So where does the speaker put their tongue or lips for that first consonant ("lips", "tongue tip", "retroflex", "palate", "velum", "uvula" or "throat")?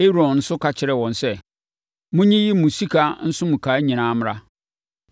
tongue tip